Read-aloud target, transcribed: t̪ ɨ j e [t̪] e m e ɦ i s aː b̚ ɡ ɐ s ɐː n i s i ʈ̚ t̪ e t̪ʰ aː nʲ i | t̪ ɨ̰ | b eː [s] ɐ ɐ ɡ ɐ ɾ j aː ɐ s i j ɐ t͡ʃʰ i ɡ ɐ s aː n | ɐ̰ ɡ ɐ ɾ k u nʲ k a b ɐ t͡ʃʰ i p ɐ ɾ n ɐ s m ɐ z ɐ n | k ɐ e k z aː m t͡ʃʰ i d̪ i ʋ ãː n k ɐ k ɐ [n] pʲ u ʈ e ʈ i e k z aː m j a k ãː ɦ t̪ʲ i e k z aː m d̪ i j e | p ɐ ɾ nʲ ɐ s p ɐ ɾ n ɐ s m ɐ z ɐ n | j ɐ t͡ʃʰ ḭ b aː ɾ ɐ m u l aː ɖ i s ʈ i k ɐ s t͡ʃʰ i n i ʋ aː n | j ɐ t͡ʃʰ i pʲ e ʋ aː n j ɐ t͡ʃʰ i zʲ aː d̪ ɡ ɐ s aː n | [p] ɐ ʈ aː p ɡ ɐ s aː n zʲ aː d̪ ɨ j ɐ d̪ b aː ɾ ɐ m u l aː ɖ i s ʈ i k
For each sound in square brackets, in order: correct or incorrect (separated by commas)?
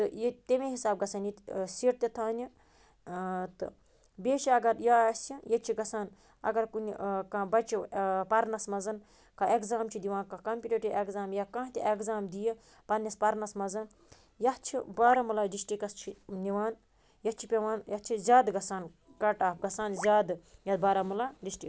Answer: correct, incorrect, incorrect, incorrect